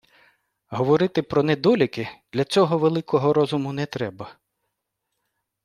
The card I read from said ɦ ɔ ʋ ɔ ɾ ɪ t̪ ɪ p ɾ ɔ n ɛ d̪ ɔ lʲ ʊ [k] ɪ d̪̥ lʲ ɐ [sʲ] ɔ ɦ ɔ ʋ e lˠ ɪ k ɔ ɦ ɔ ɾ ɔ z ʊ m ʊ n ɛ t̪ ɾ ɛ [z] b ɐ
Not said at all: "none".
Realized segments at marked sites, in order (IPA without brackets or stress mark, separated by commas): k, t͡sʲ, none